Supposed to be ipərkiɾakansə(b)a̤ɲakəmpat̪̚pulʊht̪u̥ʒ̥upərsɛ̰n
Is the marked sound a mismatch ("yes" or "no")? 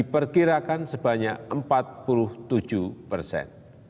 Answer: no